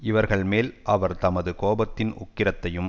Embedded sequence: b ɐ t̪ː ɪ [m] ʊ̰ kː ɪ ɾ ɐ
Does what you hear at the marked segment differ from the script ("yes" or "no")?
yes